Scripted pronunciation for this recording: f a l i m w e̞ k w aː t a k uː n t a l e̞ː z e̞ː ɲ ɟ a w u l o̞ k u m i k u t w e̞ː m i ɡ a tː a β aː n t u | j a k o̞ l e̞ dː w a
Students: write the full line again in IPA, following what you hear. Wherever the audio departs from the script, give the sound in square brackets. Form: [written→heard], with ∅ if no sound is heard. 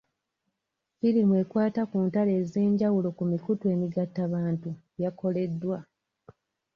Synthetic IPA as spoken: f [a→i] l i m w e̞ k w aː t a k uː n t a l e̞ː z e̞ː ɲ ɟ a w u l o̞ k u m i k u t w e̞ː m i ɡ a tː a β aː n t u | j a k o̞ l e̞ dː w a